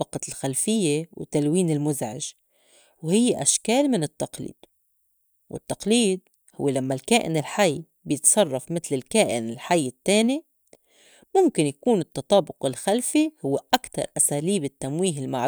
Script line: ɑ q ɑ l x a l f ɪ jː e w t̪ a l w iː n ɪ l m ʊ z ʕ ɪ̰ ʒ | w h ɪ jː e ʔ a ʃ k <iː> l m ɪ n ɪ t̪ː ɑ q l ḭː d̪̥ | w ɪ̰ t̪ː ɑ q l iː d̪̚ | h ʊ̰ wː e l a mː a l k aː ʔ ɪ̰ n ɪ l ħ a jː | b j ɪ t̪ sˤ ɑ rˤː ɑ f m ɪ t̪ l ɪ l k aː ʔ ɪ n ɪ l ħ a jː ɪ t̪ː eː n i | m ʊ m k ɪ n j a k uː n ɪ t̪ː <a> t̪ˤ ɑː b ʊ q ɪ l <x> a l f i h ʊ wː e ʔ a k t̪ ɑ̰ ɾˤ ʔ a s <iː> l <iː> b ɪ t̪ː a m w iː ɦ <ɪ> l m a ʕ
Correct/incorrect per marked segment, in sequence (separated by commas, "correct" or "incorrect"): incorrect, incorrect, correct, incorrect, correct, correct